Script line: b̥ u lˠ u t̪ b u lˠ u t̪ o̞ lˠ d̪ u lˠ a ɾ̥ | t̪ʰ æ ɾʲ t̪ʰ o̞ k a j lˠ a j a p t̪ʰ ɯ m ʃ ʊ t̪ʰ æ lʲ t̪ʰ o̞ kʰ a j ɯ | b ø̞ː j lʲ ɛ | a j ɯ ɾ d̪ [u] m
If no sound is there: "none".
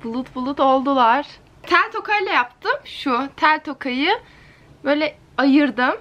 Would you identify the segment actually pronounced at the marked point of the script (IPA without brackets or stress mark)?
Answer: ɯ